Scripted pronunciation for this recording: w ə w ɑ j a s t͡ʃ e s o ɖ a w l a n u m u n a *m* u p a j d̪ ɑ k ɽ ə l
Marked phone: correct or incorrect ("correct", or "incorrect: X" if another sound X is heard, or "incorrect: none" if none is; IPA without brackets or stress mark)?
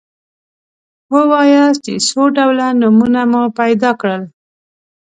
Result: correct